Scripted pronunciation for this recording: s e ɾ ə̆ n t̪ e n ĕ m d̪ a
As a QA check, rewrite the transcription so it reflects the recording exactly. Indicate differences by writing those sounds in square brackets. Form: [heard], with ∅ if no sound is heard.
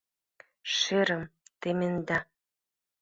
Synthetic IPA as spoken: [ʃ] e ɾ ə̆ [m] t̪ e [m] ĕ [n] d̪ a